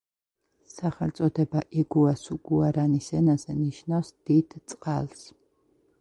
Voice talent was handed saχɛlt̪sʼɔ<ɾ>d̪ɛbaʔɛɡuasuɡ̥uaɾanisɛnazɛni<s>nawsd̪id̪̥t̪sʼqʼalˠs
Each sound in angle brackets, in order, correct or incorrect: incorrect, incorrect

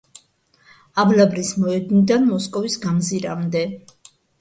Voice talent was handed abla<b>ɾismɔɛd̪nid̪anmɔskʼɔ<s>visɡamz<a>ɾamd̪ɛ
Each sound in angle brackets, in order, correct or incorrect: correct, incorrect, incorrect

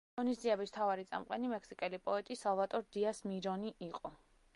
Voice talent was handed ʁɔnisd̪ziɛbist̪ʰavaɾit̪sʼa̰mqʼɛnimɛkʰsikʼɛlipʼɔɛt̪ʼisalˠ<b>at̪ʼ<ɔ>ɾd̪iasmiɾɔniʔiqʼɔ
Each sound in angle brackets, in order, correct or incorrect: incorrect, correct

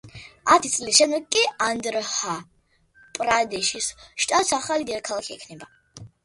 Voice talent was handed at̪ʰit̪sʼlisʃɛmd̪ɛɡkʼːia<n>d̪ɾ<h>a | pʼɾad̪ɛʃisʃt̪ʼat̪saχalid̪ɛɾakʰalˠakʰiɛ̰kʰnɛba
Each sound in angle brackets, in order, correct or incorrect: correct, correct

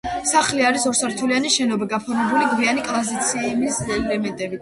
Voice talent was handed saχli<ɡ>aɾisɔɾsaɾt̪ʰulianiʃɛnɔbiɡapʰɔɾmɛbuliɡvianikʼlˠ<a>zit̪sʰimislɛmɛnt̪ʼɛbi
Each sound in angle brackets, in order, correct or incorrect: incorrect, correct

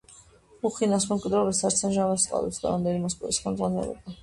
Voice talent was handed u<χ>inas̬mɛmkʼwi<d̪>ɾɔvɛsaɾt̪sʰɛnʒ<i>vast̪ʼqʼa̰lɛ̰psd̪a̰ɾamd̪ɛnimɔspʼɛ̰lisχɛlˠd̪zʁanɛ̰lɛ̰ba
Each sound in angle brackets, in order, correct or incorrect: correct, correct, incorrect

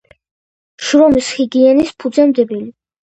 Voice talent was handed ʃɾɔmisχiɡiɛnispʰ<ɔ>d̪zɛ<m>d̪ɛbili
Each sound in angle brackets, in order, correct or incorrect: incorrect, correct

